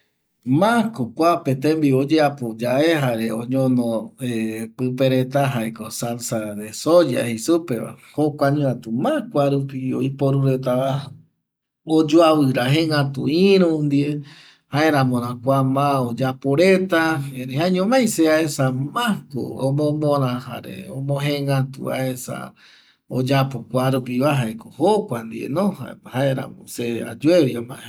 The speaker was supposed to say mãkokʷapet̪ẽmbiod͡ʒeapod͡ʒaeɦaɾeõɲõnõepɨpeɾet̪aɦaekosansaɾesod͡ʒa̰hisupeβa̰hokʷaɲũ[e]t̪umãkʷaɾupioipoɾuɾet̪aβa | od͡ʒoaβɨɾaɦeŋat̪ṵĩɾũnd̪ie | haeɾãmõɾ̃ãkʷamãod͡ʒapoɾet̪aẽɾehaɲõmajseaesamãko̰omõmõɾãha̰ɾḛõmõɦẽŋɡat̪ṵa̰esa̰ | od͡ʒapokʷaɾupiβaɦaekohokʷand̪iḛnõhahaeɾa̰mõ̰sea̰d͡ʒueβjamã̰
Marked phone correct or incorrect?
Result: incorrect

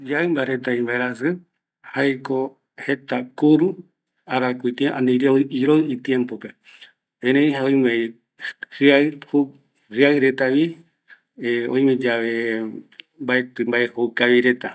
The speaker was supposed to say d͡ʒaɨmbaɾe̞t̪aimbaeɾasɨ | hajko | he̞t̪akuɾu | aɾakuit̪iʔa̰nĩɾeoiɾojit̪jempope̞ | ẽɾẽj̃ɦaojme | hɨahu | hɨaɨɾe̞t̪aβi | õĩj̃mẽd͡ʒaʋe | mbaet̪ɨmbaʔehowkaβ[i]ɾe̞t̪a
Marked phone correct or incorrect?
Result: correct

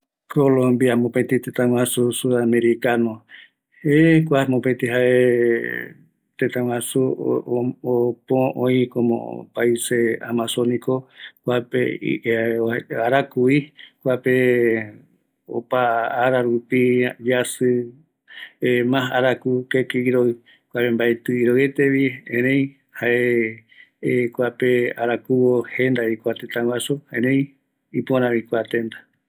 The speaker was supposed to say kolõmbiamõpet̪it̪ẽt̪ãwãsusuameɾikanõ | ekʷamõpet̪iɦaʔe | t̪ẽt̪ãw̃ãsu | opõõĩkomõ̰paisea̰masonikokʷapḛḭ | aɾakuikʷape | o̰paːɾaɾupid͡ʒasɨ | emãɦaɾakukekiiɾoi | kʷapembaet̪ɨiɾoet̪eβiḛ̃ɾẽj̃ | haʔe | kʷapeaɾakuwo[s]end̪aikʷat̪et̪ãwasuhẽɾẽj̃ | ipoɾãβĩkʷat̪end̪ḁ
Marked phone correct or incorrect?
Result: incorrect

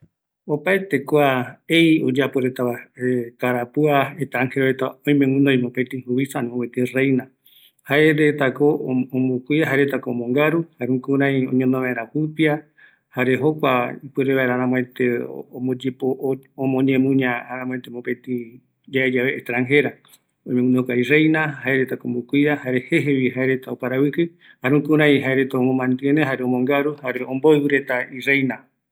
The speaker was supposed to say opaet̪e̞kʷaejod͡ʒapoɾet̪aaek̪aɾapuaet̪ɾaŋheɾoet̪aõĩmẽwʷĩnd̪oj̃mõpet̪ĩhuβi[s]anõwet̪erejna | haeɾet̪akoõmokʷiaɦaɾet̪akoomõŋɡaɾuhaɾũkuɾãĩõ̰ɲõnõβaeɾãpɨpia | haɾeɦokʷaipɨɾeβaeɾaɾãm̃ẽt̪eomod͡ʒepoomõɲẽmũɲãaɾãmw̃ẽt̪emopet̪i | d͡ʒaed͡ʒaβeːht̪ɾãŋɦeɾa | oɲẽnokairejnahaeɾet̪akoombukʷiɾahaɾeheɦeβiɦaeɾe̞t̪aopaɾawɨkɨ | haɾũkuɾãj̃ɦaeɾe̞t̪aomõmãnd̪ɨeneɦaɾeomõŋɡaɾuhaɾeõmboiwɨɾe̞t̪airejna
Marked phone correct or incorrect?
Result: correct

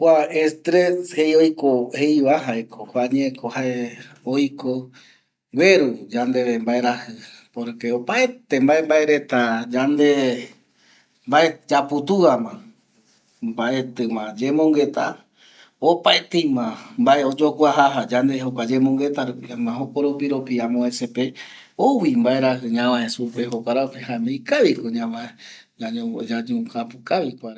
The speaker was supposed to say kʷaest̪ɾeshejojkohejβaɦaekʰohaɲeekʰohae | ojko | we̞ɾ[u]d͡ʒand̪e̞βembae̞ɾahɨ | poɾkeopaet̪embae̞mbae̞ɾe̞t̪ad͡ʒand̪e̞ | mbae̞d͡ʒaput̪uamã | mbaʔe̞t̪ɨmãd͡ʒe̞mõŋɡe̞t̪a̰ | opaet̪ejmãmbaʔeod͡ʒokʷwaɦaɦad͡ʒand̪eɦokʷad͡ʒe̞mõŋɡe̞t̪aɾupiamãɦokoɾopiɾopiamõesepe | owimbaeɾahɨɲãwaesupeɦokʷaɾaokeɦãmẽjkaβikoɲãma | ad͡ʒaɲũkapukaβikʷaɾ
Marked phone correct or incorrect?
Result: correct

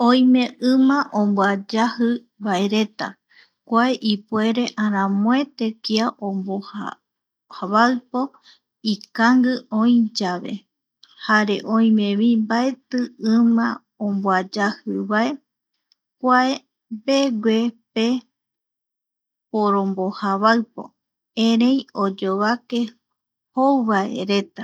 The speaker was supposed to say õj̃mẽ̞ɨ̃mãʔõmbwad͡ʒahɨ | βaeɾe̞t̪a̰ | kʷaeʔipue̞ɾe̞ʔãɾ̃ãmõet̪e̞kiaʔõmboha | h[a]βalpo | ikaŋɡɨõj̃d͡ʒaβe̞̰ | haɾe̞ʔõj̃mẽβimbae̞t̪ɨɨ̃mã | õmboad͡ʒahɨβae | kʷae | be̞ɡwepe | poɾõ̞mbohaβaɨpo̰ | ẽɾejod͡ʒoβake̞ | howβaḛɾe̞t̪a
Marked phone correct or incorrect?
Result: correct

